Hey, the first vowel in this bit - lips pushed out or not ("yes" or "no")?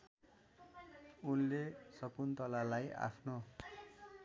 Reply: yes